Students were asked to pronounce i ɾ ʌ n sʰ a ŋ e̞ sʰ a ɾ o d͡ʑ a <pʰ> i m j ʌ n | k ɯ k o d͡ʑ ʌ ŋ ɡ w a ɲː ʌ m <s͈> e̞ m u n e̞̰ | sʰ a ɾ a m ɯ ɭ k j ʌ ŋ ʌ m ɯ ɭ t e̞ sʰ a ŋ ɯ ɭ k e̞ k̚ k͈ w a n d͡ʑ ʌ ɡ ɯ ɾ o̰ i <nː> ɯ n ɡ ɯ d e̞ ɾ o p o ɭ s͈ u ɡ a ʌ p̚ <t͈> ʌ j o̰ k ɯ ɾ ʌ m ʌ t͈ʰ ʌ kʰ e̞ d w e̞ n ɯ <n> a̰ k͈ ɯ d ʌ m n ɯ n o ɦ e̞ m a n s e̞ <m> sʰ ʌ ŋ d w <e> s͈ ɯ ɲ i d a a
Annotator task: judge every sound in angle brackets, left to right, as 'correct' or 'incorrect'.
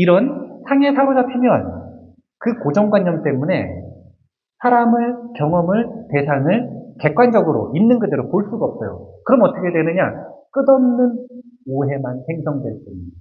correct, incorrect: t͈, correct, incorrect: s͈, incorrect: ɲ, incorrect: ŋ, correct

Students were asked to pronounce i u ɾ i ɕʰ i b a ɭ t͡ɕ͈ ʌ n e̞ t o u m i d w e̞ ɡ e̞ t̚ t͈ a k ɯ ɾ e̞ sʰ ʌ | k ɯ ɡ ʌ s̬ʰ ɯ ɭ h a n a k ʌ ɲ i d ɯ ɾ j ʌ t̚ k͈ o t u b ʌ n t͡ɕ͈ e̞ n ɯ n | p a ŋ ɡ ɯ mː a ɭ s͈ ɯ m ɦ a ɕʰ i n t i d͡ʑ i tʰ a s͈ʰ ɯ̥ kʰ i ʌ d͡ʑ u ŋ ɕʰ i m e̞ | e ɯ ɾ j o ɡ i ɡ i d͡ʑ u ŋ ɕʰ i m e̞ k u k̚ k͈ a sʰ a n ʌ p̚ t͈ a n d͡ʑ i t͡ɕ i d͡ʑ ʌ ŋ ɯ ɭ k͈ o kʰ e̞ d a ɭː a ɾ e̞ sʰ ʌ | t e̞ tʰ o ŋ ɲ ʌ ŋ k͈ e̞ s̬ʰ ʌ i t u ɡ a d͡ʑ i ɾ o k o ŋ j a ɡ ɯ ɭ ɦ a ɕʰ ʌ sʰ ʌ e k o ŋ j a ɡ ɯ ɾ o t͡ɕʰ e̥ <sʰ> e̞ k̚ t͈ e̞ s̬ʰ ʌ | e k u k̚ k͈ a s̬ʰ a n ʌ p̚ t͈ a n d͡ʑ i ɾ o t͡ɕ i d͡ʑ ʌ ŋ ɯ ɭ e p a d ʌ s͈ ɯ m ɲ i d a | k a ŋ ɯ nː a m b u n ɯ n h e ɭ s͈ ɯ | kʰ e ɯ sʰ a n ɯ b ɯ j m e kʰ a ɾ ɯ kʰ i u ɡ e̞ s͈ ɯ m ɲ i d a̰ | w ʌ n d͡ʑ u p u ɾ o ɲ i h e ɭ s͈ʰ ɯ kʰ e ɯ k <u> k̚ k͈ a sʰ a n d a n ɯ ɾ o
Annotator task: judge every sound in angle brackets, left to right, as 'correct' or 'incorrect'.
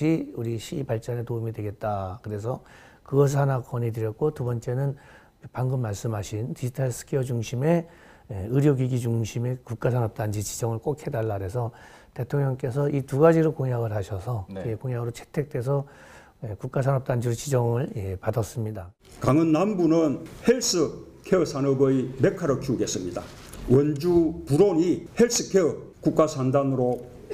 incorrect: tʰ, correct

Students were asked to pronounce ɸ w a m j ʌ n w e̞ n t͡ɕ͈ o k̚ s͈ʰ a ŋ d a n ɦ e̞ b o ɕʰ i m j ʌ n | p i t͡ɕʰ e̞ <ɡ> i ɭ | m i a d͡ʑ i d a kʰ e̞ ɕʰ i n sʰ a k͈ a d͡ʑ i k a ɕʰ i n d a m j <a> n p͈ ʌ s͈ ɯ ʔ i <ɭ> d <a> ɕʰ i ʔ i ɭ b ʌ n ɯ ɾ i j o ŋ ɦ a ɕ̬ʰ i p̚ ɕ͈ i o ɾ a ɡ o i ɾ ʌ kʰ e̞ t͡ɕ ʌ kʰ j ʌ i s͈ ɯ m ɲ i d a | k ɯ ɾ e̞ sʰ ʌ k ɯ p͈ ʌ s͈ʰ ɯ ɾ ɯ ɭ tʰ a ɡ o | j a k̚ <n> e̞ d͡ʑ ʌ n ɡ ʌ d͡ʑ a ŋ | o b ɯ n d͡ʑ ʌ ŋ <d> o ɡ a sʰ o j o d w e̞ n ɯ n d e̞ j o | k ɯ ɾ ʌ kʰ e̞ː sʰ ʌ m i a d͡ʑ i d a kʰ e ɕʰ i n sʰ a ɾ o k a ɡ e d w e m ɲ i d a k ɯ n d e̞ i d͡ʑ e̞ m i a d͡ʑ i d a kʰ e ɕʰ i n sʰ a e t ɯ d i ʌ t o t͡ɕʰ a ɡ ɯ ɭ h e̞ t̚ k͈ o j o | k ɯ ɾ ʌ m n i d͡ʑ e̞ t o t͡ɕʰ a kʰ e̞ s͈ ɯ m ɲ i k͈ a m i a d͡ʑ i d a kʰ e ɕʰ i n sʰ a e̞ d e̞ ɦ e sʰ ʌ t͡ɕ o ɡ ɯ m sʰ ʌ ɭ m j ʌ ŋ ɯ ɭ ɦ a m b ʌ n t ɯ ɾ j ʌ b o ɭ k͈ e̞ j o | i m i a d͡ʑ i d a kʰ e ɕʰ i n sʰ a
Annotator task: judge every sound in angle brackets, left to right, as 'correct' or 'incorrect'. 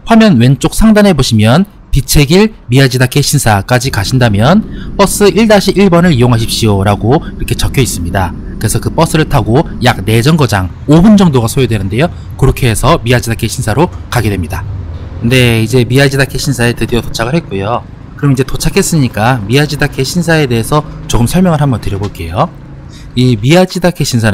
correct, incorrect: ʌ, correct, correct, correct, correct

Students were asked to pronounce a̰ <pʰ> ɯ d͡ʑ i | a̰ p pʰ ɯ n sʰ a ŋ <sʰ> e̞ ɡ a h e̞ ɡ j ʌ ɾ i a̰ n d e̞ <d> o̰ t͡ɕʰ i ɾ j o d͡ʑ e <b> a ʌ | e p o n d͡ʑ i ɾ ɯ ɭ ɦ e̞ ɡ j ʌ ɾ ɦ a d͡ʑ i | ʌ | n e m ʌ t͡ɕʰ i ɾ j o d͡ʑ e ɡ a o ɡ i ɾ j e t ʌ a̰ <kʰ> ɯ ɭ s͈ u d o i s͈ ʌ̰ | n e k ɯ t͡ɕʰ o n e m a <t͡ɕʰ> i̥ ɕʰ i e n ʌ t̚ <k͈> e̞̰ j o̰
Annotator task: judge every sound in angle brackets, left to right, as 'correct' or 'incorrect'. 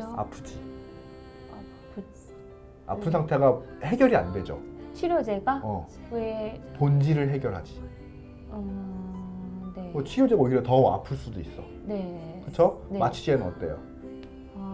correct, incorrect: tʰ, incorrect: d͡ʑ, incorrect: ɡ, incorrect: pʰ, correct, incorrect: t͈

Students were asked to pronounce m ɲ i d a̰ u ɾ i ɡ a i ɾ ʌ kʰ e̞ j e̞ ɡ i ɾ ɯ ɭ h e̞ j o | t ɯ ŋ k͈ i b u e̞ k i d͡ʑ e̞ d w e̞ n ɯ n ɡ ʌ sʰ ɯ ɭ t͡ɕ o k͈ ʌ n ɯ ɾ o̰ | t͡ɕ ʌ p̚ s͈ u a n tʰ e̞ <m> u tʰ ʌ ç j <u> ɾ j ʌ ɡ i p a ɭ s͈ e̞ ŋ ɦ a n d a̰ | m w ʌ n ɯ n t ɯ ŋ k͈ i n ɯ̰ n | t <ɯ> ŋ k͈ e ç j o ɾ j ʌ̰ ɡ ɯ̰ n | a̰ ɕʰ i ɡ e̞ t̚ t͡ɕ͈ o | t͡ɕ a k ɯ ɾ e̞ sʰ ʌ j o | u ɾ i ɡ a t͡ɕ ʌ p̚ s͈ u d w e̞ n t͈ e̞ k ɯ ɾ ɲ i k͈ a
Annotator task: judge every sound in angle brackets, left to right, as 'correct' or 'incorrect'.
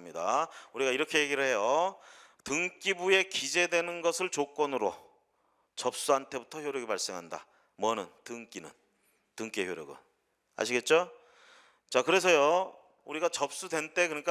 incorrect: b, incorrect: o, correct

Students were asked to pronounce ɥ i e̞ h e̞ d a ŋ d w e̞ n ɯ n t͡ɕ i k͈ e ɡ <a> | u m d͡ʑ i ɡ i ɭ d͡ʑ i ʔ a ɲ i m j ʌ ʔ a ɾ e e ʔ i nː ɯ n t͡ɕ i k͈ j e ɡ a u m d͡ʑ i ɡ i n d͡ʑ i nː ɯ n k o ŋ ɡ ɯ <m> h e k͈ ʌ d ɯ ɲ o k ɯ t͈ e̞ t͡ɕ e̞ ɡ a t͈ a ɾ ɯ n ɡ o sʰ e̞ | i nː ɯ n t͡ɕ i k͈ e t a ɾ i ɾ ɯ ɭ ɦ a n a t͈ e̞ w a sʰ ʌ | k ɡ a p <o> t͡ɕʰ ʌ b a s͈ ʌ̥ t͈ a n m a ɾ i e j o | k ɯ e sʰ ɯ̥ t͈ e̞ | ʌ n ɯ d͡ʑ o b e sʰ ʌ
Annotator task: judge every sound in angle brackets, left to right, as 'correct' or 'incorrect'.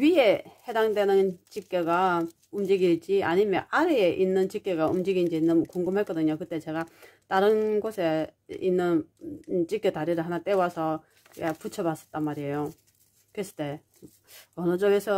correct, correct, incorrect: u

